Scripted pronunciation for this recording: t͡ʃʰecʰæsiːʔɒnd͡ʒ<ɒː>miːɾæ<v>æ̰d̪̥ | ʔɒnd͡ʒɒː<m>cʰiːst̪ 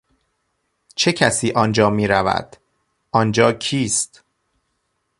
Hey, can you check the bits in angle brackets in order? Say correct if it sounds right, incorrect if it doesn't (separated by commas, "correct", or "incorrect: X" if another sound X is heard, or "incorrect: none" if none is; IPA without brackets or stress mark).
correct, correct, incorrect: none